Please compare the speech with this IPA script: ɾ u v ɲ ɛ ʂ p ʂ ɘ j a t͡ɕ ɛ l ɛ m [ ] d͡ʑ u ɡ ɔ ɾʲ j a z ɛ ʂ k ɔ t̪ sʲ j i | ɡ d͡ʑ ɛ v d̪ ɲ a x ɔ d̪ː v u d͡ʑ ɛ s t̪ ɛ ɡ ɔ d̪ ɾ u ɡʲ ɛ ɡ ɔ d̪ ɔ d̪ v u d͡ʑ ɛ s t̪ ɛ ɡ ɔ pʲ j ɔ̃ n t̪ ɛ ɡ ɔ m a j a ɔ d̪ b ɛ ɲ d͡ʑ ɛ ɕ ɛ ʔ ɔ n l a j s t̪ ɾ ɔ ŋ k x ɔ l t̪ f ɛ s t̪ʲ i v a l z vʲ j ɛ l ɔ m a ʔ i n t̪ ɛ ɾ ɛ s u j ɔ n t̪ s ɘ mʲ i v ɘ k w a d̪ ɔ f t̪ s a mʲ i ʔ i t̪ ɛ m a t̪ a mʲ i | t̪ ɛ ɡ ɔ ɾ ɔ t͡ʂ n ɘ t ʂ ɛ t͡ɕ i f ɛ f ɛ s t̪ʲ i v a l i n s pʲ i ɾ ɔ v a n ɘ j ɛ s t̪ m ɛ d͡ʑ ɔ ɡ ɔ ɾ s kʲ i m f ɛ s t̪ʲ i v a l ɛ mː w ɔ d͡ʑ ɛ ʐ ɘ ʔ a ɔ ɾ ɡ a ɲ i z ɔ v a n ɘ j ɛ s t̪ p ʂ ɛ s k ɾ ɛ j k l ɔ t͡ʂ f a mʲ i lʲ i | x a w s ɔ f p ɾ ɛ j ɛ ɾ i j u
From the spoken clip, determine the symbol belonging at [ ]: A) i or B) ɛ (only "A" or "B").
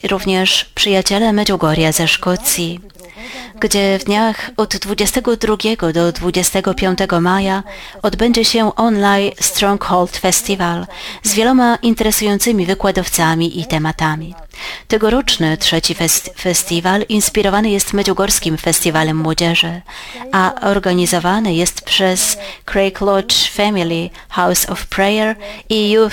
B